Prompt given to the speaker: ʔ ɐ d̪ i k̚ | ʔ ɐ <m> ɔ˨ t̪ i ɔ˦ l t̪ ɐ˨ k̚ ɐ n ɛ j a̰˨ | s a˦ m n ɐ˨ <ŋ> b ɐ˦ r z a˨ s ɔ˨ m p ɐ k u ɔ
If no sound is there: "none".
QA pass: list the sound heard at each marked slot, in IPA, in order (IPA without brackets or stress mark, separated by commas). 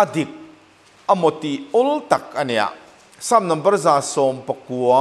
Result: m, m